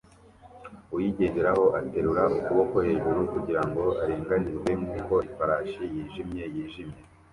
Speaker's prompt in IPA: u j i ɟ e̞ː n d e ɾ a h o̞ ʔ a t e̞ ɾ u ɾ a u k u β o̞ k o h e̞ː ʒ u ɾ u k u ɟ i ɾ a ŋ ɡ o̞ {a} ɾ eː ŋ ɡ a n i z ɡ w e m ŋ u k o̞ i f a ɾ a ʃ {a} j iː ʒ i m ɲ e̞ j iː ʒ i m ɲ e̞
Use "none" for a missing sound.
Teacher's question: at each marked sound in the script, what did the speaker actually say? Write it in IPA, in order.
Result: a, i

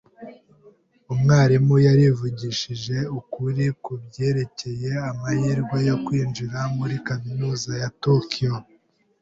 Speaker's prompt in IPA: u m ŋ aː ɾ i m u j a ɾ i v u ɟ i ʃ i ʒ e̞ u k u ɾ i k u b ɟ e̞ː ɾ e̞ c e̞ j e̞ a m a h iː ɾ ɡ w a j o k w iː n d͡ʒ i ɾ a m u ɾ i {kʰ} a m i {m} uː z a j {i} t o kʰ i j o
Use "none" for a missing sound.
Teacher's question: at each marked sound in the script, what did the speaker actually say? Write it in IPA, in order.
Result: k, n, a

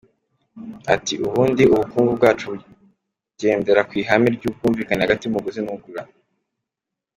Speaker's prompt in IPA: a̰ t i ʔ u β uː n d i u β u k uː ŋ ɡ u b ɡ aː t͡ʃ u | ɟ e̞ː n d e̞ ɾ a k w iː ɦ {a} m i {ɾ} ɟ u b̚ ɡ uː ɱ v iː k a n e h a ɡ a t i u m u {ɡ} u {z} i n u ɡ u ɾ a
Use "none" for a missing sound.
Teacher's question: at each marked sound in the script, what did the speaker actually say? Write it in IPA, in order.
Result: a, ɾ, ɡ, z

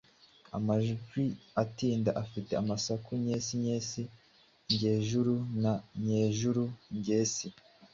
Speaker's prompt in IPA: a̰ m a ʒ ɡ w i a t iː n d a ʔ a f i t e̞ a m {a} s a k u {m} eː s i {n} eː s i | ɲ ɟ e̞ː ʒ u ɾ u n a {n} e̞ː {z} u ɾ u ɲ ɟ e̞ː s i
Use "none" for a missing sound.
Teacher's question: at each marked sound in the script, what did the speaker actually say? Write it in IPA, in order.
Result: a, ɲ, ɲ, ɲ, ʒ

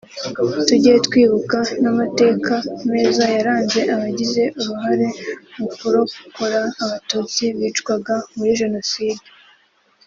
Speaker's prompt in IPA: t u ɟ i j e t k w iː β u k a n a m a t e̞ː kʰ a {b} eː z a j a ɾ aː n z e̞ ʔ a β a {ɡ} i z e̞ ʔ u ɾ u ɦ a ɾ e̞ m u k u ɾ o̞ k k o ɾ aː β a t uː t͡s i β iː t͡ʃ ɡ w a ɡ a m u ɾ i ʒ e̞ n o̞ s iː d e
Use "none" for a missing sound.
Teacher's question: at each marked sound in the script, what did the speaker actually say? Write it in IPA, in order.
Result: m, ɟ

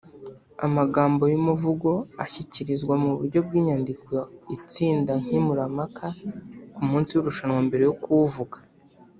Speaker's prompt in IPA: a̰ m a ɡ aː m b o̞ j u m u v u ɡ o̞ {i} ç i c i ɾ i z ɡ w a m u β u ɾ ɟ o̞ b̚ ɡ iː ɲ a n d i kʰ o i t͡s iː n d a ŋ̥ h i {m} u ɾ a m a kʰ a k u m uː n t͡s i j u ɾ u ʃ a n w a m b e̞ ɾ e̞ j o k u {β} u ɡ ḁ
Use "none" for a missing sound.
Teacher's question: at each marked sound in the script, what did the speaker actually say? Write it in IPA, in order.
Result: a, m, v

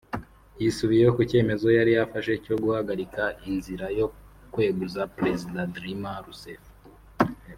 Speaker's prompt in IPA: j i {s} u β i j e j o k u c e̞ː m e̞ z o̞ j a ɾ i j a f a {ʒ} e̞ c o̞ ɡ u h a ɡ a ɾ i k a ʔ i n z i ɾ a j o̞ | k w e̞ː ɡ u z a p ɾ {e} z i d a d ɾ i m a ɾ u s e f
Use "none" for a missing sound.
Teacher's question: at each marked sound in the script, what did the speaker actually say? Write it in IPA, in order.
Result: s, ʃ, e

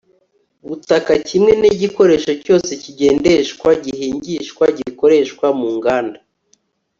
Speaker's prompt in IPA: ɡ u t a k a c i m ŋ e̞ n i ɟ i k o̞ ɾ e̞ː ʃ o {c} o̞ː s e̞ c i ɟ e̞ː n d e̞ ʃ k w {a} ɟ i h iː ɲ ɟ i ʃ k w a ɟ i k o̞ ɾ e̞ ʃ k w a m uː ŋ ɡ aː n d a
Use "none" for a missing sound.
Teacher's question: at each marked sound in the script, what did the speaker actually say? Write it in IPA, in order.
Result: c, a

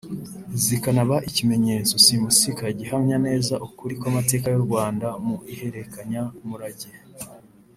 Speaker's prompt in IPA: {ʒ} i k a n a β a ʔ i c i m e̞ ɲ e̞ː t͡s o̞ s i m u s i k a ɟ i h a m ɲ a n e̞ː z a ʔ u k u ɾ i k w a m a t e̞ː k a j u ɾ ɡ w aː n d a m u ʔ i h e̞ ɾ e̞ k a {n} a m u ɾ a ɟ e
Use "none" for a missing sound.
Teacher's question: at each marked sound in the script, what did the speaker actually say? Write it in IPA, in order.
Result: z, ɲ

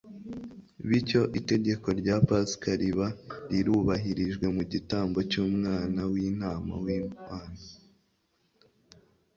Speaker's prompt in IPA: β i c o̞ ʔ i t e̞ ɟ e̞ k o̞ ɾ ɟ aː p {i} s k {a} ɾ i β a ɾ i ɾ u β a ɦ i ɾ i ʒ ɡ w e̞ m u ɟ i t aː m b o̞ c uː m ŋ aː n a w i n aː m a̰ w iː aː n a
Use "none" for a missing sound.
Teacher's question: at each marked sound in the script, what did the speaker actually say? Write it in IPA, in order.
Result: a, a

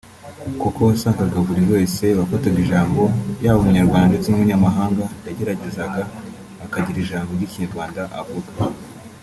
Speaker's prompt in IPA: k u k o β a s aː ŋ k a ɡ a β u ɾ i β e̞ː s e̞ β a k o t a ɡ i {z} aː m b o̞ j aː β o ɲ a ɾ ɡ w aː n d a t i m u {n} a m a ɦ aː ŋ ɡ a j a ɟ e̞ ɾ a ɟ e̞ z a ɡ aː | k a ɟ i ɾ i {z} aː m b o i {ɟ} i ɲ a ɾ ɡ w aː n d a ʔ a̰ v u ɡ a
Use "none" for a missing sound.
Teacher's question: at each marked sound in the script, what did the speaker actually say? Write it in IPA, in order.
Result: ʒ, ɲ, ʒ, c

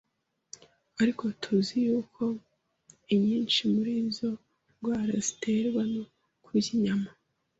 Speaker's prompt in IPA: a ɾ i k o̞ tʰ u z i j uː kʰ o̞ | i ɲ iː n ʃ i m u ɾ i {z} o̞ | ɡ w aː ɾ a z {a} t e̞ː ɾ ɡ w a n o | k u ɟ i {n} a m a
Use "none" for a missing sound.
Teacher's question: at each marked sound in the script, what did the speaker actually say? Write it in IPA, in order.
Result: z, i, ɲ

